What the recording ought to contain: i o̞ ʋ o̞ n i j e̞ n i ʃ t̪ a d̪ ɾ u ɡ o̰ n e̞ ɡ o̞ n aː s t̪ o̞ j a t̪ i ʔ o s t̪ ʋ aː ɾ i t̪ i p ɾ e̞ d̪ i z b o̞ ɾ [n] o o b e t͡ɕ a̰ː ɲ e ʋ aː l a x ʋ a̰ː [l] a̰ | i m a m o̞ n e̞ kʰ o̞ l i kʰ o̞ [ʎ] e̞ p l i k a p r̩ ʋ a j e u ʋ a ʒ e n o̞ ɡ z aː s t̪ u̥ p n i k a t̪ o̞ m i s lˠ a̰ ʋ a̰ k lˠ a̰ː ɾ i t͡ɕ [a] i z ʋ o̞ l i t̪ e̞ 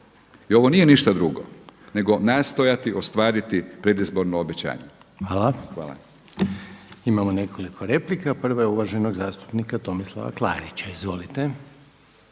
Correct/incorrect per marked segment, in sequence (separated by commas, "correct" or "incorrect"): correct, correct, incorrect, correct